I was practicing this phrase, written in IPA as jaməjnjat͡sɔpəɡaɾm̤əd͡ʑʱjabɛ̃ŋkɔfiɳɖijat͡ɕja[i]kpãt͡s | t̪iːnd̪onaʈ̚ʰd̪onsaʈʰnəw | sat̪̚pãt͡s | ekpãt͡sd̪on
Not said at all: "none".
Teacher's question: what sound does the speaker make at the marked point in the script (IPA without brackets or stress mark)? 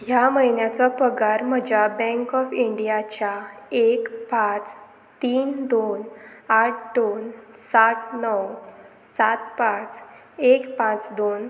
e